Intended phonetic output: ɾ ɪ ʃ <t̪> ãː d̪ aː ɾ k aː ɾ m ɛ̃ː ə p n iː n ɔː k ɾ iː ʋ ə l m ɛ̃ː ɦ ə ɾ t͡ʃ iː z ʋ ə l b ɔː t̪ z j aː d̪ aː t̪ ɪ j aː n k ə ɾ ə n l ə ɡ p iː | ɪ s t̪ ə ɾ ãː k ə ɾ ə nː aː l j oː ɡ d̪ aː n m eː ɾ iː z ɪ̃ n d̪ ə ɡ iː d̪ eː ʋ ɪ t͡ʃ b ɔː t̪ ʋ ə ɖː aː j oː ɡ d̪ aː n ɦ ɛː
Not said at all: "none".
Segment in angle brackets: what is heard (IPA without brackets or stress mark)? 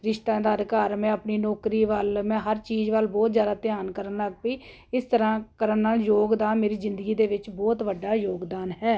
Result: t̪